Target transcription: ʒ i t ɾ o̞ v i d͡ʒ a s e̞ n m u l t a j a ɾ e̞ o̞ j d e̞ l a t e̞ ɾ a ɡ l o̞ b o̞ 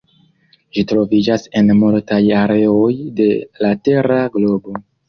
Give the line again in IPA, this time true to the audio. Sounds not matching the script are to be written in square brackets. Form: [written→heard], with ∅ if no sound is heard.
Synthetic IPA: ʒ i t ɾ o̞ v i d͡ʒ a s e̞ n m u l t a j a ɾ e̞ o̞ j d e̞ l a t e̞ ɾ a ɡ l o̞ b o̞